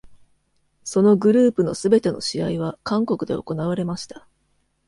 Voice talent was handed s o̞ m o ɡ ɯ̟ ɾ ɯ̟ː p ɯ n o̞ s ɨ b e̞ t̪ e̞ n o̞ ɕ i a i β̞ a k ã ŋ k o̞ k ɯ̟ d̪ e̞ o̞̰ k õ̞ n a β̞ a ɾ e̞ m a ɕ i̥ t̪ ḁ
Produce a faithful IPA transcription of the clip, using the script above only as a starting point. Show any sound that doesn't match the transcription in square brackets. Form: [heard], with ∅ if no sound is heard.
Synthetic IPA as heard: s o̞ [n] o ɡ ɯ̟ ɾ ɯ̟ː p ɯ n o̞ s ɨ b e̞ t̪ e̞ n o̞ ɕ i a i β̞ a k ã ŋ k o̞ k ɯ̟ d̪ e̞ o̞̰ k [o̞] n a β̞ a ɾ e̞ m a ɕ i̥ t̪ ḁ